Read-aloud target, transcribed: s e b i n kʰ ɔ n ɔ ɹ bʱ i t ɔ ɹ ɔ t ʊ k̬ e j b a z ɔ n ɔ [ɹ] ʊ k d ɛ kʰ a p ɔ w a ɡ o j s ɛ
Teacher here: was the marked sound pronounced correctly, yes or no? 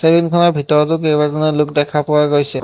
no